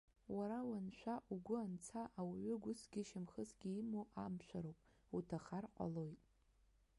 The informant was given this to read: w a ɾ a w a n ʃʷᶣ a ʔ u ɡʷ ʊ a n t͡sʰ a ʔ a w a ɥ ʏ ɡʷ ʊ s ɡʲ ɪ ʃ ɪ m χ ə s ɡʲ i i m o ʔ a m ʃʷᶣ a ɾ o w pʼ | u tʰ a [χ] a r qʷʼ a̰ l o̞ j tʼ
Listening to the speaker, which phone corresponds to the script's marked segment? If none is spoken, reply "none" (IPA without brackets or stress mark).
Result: χ